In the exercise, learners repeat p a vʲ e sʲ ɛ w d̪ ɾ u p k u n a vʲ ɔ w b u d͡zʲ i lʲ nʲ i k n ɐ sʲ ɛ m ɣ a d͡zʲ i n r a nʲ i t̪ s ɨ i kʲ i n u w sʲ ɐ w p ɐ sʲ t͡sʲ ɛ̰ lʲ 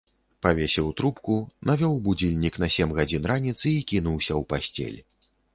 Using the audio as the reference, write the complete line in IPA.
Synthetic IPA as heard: p a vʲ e sʲ ɛ w t̪ ɾ u p k u n a vʲ ɔ w b u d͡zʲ i lʲ nʲ i k n ɐ sʲ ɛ m ɣ a d͡zʲ i n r a nʲ i t̪ s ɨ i kʲ i n u w sʲ ɐ w p a sʲ t͡sʲ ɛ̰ lʲ

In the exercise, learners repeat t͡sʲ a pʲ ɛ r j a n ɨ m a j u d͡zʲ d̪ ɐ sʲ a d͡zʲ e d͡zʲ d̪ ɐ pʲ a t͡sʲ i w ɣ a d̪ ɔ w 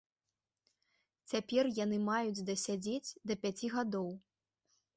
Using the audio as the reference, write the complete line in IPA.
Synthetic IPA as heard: t͡sʲ a pʲ ɛ r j a n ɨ m a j u d͡zʲ d̪ ɐ sʲ a d͡zʲ e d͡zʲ d̪ ɐ pʲ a t͡sʲ i ɣ a d̪ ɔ w

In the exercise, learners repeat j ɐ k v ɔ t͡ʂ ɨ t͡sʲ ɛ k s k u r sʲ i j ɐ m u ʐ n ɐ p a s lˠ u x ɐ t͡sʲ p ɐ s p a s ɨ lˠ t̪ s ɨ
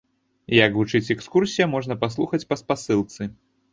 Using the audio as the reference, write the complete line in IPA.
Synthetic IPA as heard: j ɐ k v u t͡ʂ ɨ t͡sʲ ɛ k s k u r sʲ i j ɐ m ɔ ʐ n ɐ p a s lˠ u x ɐ t͡sʲ p ɐ s p a s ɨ lˠ t̪ s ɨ

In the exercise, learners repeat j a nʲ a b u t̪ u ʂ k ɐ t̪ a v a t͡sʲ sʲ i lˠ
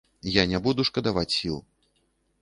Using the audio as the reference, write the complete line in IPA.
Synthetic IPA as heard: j a nʲ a b u d̪ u ʂ k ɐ d̪ a v a t͡sʲ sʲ i lˠ

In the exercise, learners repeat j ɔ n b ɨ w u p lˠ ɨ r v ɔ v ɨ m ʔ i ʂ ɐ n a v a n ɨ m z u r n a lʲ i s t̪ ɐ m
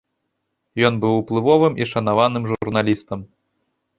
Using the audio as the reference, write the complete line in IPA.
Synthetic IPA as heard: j ɔ n b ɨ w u p lˠ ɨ v ɔ v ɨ m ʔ i ʂ ɐ n a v a n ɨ m ʐ u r n a lʲ i s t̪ ɐ m

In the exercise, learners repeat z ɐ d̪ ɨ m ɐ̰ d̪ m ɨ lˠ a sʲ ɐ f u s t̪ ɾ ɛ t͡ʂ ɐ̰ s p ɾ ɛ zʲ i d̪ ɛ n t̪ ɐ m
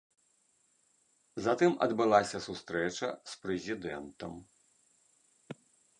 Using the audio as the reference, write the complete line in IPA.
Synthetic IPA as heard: z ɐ t̪ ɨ m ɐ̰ d̪ b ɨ lˠ a sʲ ɐ s u s t̪ ɾ ɛ t͡ʂ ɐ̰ s p ɾ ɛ zʲ i d̪ ɛ n t̪ ɐ m

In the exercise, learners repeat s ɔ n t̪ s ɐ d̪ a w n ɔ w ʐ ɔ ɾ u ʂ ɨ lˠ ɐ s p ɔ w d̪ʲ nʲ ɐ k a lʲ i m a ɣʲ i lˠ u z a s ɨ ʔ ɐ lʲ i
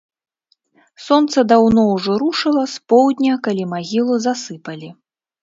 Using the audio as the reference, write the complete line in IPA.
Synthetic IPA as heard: s ɔ n t̪ s ɐ d̪ a w n ɔ w ʐ ɔ ɾ u ʂ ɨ lˠ ɐ s p ɔ w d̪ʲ nʲ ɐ k a lʲ i m a ɣʲ i lˠ u z a s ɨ p ɐ lʲ i

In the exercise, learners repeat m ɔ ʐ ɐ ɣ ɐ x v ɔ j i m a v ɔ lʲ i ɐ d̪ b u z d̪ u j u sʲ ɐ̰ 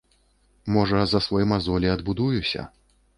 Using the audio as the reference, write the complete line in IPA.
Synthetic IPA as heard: m ɔ ʐ ɐ z ɐ s v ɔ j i m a z ɔ lʲ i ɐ d̪ b u d̪ u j u sʲ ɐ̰

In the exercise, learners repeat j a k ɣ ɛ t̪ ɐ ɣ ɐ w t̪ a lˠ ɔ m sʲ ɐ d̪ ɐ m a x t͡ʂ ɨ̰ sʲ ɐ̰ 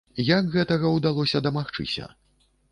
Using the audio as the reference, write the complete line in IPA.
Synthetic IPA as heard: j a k ɣ ɛ t̪ ɐ ɣ ɐ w d̪ a lˠ ɔ sʲ ɐ d̪ ɐ m a x t͡ʂ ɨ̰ sʲ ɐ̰

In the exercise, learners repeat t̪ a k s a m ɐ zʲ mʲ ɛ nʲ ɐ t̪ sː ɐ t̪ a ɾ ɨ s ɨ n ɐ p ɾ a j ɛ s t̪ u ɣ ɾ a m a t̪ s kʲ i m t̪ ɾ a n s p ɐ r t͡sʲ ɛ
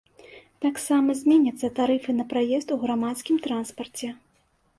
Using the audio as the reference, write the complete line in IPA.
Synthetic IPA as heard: t̪ a k s a m ɐ zʲ mʲ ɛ nʲ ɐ t̪ sː ɐ t̪ a ɾ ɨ f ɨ n ɐ p ɾ a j ɛ s t̪ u ɣ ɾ a m a t̪ s kʲ i m t̪ ɾ a n s p ɐ r t͡sʲ ɛ

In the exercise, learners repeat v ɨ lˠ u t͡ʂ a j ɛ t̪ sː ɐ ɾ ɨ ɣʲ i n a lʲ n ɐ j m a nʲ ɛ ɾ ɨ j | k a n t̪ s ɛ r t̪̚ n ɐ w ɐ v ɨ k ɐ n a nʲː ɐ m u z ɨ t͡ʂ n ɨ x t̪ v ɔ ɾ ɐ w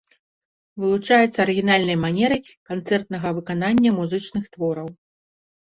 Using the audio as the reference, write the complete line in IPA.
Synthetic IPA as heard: v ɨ lˠ u t͡ʂ a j ɛ t̪ sː ɐ ɾ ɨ ɣʲ i n a lʲ n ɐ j m a nʲ ɛ ɾ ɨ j | k a n t̪ s ɛ r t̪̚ n ɐ ɣ ɐ v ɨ k a n a nʲː ɐ m u z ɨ t͡ʂ n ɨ x t̪ v ɔ ɾ ɐ w

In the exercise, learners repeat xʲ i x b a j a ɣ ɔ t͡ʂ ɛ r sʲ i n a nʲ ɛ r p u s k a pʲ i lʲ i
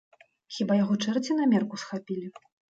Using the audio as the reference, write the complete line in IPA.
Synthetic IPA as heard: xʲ i b a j a ɣ ɔ t͡ʂ ɛ r t͡sʲ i n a mʲ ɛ r k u s x a pʲ i lʲ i

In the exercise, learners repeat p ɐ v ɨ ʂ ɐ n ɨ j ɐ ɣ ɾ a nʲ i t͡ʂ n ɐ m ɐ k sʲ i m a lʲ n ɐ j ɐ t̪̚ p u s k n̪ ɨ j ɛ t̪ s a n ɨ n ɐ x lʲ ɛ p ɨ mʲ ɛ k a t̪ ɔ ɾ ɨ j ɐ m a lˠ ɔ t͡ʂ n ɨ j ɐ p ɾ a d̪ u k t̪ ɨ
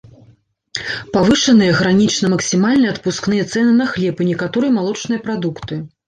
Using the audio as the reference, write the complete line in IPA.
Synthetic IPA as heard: p a v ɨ ʂ ɐ n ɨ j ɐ ɣ ɾ a nʲ i t͡ʂ n ɐ m ɐ k sʲ i m a lʲ n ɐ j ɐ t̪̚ p u s k n̪ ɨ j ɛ t̪ s ɛ n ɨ n ɐ x lʲ ɛ p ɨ nʲ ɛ k a t̪ ɔ ɾ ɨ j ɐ m a lˠ ɔ t͡ʂ n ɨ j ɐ p ɾ a d̪ u k t̪ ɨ

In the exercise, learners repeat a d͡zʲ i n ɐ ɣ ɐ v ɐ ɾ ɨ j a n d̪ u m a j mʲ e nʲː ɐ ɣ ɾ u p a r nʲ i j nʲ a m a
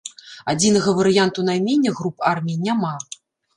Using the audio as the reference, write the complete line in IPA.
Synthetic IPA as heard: a d͡zʲ i n ɐ ɣ ɐ v ɐ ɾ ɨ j a n t̪ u n a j mʲ e nʲː ɐ ɣ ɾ u p a r mʲ i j nʲ a m a

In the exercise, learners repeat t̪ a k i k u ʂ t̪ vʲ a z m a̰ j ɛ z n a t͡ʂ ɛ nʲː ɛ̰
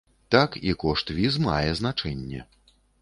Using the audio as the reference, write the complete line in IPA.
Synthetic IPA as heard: t̪ a k i k ɔ ʂ t̪ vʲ i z m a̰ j ɛ z n a t͡ʂ ɛ nʲː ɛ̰

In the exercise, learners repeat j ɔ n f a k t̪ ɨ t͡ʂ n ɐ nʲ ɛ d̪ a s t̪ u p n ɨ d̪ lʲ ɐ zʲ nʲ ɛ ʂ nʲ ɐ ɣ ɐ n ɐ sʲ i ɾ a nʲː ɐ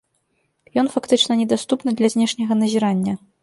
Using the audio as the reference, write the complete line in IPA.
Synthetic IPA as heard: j ɔ n f a k t̪ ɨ t͡ʂ n ɐ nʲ ɛ d̪ a s t̪ u p n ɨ d̪ lʲ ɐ zʲ nʲ ɛ ʂ nʲ ɐ ɣ ɐ n ɐ zʲ i ɾ a nʲː ɐ

